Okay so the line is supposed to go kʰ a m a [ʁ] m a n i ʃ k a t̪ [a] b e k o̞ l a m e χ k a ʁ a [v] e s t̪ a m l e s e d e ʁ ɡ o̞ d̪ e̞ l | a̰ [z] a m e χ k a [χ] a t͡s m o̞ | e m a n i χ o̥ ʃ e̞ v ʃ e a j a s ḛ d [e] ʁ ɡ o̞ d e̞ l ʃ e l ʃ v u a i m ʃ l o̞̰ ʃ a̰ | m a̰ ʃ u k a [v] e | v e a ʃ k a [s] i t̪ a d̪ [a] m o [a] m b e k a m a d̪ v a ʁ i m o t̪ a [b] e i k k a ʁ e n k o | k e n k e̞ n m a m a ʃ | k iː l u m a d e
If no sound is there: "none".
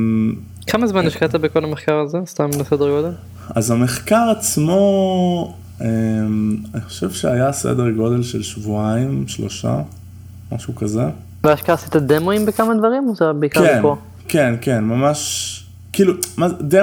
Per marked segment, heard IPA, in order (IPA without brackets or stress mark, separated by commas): z, a, z, z, ʁ, e, z, s, e, i, b